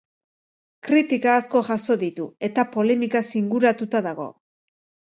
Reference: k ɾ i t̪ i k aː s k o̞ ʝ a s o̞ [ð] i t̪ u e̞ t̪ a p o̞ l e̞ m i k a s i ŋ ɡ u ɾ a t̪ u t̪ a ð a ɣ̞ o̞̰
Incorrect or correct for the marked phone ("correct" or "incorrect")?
correct